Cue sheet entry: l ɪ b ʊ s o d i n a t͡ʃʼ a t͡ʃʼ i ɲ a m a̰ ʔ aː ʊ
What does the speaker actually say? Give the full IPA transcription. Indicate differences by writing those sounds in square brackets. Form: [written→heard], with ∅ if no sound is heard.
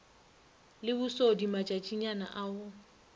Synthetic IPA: l ɪ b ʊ s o d i [n→m] a t͡ʃʼ a t͡ʃʼ i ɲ a [m→n] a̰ ʔ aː ʊ